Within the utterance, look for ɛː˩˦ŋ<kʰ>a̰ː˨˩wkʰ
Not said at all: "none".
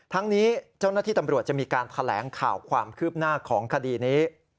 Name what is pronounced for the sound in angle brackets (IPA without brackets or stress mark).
kʰ